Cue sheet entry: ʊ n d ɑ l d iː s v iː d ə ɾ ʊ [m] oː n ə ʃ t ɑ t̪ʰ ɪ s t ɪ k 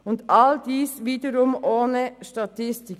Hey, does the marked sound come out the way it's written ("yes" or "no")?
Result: yes